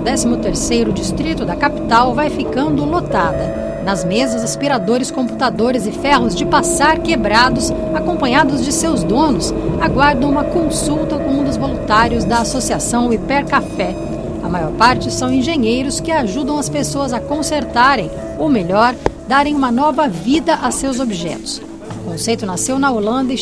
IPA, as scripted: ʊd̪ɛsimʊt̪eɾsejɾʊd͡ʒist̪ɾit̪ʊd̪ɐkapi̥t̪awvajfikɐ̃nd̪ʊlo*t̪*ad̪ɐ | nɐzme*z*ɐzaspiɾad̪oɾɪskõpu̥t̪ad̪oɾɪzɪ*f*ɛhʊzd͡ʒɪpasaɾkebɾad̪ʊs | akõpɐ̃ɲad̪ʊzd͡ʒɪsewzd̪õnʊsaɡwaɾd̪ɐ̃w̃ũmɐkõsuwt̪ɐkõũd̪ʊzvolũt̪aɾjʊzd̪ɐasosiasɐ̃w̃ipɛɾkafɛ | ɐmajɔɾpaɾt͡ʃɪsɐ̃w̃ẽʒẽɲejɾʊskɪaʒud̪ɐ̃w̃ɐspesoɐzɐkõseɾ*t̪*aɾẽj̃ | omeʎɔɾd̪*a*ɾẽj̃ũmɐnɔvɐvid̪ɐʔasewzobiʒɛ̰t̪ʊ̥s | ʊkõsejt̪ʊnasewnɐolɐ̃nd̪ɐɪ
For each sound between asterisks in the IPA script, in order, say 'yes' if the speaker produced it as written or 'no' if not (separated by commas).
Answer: yes, yes, yes, yes, yes